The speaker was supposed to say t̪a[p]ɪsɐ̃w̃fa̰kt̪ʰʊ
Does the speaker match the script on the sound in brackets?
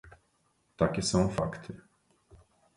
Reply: no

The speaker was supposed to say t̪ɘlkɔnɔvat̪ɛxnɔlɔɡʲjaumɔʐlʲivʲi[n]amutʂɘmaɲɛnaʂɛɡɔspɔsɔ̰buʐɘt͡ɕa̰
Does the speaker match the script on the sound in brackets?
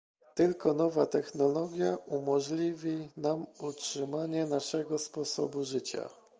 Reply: yes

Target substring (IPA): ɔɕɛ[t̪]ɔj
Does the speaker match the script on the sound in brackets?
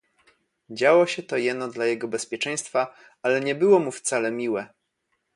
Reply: yes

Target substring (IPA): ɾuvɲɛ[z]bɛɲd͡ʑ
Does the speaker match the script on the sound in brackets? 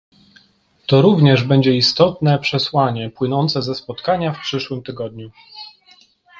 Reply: no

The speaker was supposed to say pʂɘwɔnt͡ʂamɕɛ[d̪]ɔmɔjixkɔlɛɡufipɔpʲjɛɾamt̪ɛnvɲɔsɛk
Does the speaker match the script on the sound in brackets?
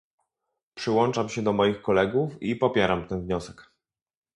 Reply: yes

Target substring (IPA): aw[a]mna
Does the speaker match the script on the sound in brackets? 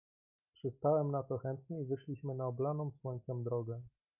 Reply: no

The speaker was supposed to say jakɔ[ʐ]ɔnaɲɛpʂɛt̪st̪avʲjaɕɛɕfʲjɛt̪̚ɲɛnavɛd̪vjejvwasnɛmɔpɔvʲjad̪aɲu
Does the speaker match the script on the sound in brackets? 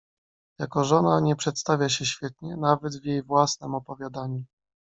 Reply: yes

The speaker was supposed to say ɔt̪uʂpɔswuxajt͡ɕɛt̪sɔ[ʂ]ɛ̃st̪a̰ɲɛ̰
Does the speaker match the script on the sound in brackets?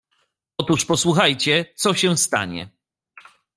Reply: no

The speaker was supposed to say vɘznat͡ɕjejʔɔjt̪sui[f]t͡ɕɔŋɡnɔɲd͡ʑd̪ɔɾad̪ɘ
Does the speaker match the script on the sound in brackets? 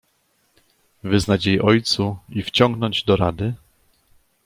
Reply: yes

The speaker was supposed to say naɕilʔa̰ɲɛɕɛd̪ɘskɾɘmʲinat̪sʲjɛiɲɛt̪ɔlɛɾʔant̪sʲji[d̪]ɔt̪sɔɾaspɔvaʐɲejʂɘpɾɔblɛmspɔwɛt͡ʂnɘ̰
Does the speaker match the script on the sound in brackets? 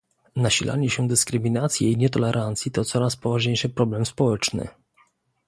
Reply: no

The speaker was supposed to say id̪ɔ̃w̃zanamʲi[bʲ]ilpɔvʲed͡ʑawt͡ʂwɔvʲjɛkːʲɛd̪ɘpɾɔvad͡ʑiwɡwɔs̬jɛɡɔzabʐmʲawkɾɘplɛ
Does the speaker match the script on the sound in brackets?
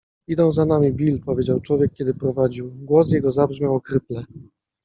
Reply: yes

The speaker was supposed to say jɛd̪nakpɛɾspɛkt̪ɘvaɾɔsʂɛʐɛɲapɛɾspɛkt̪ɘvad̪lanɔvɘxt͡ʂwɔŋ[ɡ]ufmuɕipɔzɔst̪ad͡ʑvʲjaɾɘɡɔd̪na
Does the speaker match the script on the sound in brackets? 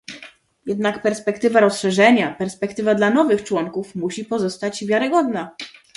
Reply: no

